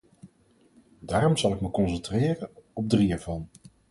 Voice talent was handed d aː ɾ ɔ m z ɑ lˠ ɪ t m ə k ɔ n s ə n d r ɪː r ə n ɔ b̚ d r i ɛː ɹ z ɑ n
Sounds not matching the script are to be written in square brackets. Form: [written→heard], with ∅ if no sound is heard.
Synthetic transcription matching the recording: d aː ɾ ɔ m z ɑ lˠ ɪ [t→k] m ə k ɔ n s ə n [d→t] r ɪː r ə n ɔ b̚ d r i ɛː ɹ [z→v] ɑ n